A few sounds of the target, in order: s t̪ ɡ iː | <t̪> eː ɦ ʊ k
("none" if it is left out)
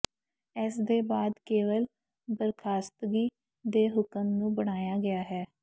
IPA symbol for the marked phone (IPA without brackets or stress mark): d̪